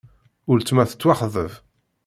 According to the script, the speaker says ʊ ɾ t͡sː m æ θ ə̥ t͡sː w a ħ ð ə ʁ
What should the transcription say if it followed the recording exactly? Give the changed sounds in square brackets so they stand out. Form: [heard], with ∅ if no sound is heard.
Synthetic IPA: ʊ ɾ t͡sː m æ θ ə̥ t͡sː w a [χ] ð ə [v]